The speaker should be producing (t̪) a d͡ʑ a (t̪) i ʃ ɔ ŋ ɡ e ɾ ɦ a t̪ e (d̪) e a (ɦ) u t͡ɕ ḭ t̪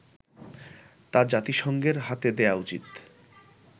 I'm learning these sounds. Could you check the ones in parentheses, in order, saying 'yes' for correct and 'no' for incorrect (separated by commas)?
yes, yes, yes, no